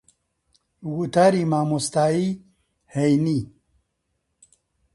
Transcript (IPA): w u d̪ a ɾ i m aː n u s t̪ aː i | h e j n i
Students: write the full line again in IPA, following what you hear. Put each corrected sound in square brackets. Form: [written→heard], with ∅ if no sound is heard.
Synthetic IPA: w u [d̪→t̪] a ɾ i m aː [n→m] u s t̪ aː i | h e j n i